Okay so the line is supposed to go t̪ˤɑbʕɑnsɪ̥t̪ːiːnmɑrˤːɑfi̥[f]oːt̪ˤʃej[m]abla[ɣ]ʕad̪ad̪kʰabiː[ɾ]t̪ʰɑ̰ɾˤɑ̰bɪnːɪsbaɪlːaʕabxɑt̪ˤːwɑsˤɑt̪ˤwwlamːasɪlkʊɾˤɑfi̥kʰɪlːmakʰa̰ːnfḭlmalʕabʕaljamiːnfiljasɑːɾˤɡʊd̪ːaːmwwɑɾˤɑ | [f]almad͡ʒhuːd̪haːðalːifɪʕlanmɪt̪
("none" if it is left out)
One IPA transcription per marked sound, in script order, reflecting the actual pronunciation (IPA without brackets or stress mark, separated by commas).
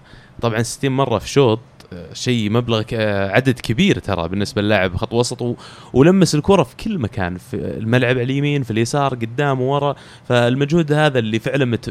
ʃ, m, ɣ, ɾ, f